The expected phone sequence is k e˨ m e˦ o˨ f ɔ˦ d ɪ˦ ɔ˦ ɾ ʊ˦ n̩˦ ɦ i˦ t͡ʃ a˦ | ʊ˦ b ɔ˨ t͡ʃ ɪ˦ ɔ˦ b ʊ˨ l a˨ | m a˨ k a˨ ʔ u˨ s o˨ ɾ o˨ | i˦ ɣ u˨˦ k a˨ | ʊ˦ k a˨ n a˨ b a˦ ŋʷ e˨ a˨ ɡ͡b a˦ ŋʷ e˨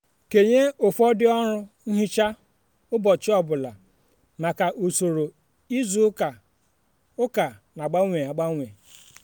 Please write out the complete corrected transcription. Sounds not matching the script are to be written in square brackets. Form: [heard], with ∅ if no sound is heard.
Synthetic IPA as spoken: k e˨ [ɲ] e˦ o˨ f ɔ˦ d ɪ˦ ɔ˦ ɾ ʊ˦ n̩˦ ɦ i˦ t͡ʃ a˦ | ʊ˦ b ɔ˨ t͡ʃ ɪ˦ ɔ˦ b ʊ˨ l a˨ | m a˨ k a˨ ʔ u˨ s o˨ ɾ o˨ | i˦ [z] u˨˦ k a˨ | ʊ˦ k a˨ n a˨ [ɡ͡b] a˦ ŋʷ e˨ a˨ ɡ͡b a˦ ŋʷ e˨